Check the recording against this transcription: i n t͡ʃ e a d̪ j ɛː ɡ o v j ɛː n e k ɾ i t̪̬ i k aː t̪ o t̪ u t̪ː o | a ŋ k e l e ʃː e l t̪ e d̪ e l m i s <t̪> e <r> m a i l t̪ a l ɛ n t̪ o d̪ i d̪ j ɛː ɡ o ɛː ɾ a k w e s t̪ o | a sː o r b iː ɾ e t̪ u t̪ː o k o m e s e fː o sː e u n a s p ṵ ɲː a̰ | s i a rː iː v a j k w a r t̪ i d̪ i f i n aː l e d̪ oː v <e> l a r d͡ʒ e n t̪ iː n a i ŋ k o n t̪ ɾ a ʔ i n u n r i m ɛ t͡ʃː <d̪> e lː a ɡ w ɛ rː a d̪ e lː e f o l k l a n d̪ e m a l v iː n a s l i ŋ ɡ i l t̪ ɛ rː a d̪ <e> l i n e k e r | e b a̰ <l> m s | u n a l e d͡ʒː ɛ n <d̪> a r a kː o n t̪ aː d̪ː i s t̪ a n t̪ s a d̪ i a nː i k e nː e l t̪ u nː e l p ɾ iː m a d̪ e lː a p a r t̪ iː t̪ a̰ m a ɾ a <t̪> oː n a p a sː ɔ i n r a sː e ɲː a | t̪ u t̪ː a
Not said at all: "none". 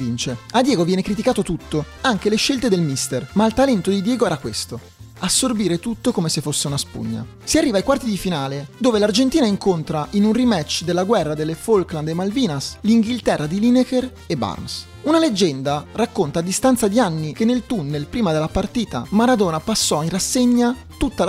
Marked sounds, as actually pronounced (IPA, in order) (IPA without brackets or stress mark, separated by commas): t̪, r, e, d̪, i, r, d̪, d̪